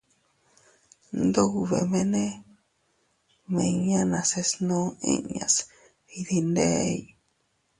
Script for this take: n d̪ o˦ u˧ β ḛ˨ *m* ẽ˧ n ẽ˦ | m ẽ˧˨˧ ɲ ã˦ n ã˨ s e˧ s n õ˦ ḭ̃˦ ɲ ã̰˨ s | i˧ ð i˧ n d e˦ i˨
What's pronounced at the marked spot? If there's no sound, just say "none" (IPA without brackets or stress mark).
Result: m